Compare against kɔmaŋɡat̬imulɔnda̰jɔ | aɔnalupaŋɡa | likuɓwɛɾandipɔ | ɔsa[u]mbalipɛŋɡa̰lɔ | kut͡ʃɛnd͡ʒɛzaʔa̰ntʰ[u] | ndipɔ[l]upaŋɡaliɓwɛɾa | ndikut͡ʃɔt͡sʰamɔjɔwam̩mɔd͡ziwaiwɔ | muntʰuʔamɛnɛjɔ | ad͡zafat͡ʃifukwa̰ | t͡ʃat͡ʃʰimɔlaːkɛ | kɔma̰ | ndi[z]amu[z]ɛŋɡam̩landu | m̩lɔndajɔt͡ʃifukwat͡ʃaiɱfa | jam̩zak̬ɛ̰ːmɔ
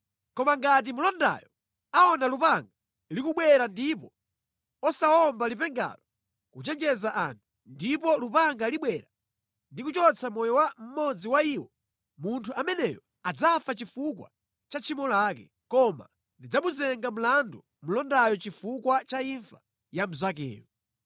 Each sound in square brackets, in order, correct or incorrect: incorrect: ɔ, correct, correct, incorrect: d͡z, correct

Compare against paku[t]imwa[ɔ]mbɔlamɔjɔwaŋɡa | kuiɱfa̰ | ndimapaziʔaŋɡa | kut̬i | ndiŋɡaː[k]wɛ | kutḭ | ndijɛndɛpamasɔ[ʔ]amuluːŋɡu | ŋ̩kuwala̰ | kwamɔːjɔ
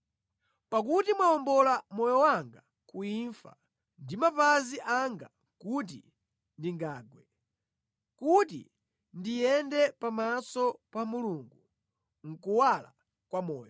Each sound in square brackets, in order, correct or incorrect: correct, correct, incorrect: ɡ, incorrect: p

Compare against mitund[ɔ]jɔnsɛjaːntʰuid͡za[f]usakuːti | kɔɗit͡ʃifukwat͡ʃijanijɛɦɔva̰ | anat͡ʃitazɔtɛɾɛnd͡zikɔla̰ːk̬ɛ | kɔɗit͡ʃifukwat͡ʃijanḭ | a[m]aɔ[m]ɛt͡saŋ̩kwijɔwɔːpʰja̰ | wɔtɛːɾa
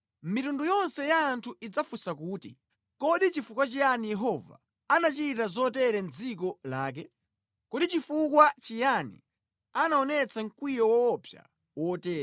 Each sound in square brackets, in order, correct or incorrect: incorrect: u, correct, incorrect: n, incorrect: n

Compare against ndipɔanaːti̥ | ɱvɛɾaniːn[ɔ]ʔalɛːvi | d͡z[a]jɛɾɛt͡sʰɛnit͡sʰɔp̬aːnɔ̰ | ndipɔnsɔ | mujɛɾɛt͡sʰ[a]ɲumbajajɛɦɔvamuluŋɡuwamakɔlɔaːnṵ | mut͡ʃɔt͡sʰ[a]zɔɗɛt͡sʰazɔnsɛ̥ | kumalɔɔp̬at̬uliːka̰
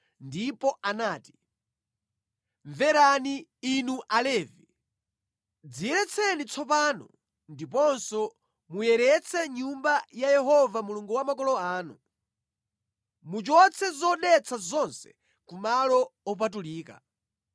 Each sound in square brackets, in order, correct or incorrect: incorrect: u, incorrect: i, incorrect: ɛ, incorrect: ɛ

